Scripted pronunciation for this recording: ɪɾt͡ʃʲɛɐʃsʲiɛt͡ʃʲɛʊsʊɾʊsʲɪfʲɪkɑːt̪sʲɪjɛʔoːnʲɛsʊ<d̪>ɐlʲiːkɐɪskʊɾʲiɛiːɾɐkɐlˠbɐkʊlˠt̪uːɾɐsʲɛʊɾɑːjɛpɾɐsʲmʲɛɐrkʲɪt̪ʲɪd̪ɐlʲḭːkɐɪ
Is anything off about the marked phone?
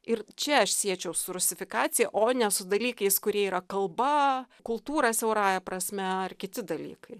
no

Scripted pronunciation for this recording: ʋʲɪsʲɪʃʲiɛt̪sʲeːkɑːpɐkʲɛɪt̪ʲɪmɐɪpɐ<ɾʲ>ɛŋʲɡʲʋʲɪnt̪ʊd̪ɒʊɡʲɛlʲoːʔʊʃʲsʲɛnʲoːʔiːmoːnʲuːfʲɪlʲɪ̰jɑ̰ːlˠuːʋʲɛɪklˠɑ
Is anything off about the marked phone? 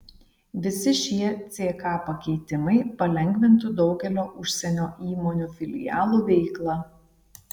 yes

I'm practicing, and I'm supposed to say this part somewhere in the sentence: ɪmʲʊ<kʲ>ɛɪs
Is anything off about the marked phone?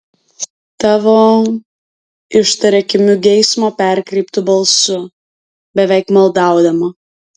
yes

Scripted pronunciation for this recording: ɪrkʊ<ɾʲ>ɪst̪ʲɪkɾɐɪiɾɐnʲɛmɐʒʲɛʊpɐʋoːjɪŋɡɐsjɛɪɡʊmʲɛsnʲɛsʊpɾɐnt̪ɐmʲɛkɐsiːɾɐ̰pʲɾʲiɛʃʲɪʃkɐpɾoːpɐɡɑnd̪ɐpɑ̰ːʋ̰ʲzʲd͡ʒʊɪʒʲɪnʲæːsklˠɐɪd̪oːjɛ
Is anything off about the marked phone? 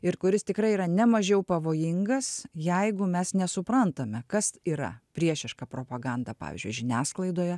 no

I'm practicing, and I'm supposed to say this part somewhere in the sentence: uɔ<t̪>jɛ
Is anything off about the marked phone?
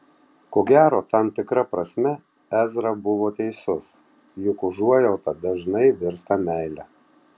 yes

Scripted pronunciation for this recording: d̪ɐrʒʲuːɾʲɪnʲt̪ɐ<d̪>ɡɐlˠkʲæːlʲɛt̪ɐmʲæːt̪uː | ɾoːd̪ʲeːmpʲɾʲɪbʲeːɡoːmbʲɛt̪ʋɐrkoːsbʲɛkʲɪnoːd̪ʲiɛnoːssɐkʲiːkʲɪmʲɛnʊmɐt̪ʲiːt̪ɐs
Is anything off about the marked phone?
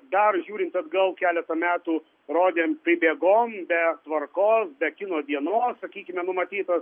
no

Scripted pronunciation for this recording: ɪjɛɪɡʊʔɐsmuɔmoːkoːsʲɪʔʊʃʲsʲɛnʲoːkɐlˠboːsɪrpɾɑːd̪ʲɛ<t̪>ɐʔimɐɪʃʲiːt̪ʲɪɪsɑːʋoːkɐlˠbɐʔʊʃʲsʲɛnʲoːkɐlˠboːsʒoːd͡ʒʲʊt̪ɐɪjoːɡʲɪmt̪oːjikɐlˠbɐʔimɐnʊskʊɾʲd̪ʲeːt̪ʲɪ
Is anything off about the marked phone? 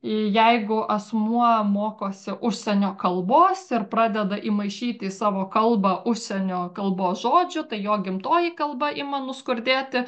yes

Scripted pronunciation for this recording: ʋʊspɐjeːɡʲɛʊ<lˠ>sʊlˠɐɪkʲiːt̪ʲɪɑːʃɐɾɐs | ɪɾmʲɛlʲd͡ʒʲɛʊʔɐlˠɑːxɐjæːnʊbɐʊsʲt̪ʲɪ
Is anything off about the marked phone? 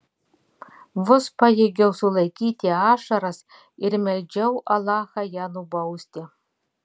yes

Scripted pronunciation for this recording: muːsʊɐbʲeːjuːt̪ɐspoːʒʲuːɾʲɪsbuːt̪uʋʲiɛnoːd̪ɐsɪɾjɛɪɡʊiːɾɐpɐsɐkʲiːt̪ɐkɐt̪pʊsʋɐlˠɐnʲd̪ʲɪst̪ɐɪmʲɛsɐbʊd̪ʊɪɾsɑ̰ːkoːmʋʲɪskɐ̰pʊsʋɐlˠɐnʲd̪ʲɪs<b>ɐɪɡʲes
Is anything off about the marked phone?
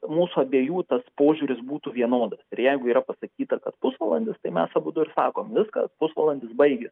no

